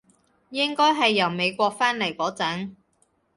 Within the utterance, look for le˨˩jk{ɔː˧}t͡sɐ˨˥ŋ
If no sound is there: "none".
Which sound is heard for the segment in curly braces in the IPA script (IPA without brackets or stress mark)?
ɔː˨˥